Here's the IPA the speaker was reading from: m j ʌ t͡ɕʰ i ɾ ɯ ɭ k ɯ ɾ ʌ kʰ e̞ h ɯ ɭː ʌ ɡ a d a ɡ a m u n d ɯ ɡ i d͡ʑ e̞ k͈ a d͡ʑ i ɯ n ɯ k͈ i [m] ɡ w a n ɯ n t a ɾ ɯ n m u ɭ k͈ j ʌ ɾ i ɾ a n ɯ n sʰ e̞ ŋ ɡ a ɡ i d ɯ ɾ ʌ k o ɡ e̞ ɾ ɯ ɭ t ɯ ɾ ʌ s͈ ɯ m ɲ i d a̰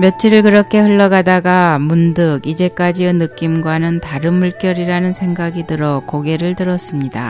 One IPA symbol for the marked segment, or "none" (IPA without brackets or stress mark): m